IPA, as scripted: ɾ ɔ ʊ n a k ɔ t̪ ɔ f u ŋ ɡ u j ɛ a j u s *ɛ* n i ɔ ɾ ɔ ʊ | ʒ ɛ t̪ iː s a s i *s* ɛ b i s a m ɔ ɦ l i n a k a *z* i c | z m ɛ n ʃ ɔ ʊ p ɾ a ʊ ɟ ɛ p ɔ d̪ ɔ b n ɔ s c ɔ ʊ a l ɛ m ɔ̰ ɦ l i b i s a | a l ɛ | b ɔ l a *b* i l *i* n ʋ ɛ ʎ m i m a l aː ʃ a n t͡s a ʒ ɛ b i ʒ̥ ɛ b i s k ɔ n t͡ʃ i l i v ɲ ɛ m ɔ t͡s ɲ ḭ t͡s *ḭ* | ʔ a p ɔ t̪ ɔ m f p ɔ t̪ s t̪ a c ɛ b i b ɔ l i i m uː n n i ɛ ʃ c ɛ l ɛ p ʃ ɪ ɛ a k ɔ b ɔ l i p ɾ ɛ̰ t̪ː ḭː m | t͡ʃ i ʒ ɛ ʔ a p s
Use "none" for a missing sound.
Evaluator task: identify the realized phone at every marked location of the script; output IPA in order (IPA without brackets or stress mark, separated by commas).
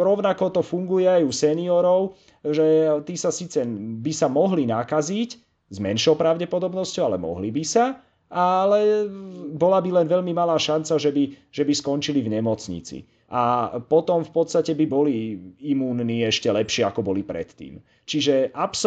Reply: ɛ, t͡s, z, b, ɛ, ḭ